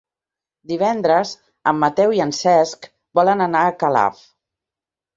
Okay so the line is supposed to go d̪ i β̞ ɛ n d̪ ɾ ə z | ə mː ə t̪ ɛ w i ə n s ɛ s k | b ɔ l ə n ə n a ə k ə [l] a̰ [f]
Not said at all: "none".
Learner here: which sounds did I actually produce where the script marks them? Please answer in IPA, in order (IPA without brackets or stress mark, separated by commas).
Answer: l, f